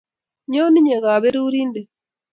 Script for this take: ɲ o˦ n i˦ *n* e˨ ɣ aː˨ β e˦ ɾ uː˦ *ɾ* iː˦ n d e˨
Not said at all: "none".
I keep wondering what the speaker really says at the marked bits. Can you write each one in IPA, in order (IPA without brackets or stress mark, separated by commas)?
ɲ, ɾ